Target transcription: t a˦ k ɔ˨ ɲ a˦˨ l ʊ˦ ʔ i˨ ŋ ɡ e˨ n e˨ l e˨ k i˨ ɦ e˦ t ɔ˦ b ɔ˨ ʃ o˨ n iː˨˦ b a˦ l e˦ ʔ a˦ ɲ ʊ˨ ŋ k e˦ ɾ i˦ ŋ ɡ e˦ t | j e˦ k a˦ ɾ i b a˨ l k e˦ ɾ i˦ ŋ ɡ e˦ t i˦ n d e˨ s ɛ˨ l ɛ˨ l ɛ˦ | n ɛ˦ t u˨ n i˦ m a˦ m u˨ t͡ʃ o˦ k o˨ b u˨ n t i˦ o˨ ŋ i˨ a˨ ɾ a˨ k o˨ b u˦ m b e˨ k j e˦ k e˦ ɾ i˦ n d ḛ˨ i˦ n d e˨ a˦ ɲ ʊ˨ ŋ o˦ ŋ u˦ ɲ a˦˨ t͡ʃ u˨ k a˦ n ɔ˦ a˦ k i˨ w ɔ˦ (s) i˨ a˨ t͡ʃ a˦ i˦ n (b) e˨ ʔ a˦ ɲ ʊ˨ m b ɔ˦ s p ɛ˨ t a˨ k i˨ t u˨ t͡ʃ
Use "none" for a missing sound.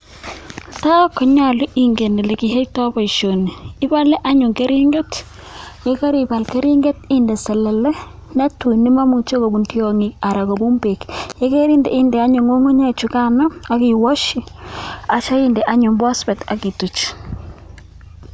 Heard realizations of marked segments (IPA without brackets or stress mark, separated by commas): ʃ, d